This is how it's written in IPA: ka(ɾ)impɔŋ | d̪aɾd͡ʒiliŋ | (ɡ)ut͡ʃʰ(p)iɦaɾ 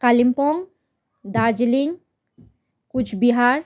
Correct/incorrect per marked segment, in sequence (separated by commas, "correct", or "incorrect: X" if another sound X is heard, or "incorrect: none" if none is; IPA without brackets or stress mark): incorrect: l, incorrect: k, incorrect: b